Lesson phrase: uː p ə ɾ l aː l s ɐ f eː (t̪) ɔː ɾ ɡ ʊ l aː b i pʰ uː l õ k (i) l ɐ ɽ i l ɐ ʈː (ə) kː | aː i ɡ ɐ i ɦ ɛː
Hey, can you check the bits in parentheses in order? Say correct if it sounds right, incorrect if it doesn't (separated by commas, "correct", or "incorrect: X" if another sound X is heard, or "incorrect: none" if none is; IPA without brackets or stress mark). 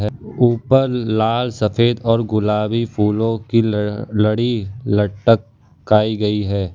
incorrect: d̪, correct, correct